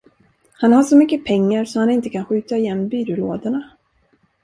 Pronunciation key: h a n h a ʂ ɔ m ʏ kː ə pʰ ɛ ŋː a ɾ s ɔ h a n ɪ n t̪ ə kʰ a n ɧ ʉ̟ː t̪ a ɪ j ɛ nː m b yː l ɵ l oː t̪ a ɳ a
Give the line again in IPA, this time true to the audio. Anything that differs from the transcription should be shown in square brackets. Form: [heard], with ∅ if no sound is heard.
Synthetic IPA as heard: h a n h a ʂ ɔ m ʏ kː ə pʰ ɛ ŋː a ɾ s ɔ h a n ɪ n t̪ ə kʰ a n ɧ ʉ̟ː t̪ a ɪ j ɛ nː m b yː [ɾ] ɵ l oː [d̪] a ɳ a

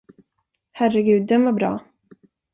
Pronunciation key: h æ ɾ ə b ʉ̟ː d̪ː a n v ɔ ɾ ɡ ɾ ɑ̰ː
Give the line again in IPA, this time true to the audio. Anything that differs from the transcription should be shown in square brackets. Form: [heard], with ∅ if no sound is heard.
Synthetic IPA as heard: h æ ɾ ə [ɡ] ʉ̟ː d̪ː [ɛ] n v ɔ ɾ [b] ɾ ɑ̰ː

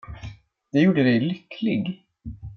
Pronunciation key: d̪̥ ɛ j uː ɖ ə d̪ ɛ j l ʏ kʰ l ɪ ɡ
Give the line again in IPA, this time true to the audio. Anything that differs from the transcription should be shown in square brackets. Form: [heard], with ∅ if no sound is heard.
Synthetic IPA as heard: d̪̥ ɛ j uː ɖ ə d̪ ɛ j l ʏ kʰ l ɪ ɡ

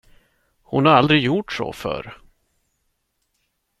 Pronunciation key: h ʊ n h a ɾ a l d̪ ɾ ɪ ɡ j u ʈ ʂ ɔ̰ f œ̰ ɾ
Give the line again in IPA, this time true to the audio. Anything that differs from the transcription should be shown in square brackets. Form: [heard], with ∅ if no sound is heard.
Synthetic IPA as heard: h ʊ n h a ɾ a l d̪ ɾ ɪ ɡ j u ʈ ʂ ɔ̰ f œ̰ ɾ

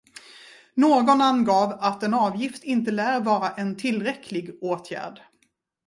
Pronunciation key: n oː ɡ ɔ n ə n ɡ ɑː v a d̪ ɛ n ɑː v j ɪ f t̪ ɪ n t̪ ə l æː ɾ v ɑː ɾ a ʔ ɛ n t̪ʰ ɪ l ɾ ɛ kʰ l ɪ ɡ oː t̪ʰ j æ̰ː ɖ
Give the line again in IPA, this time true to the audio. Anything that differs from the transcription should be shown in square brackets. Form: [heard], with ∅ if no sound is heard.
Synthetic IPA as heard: n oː ɡ ɔ n [a] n ɡ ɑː v a [t̪] ɛ n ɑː v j ɪ f t̪ ɪ n t̪ ə l æː ɾ v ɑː ɾ a ʔ ɛ n t̪ʰ ɪ l ɾ ɛ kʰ l ɪ ɡ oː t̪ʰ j æ̰ː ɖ

